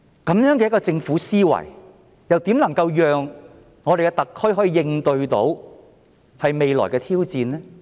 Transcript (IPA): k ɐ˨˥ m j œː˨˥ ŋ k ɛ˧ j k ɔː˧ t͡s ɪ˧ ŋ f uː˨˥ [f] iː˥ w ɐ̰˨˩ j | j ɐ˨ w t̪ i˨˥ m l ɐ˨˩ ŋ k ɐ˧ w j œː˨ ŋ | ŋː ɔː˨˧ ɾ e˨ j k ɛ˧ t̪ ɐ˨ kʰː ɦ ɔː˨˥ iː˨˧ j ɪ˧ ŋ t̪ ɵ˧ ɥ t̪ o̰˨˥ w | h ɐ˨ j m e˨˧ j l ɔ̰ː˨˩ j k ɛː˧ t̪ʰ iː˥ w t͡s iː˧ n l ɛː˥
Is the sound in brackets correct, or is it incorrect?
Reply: incorrect